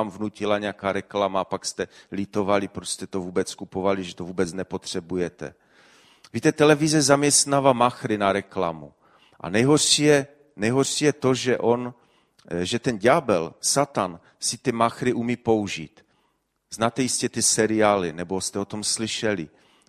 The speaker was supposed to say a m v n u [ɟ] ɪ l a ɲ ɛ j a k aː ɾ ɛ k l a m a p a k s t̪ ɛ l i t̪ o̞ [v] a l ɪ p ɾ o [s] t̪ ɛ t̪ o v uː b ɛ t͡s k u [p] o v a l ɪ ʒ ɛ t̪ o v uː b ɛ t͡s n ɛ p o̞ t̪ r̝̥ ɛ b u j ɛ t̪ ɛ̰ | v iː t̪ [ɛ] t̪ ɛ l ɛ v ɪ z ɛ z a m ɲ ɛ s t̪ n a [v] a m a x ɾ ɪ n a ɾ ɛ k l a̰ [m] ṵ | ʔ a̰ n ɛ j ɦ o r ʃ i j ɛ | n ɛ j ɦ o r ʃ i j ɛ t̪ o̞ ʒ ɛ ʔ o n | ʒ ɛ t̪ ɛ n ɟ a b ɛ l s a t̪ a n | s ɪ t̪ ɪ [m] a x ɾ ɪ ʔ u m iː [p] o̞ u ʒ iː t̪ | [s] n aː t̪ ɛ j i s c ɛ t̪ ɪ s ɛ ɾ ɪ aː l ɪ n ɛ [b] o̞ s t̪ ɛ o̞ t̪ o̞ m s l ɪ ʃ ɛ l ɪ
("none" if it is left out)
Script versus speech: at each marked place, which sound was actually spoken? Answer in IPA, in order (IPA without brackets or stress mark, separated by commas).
c, v, s, p, ɛ, v, m, m, p, z, b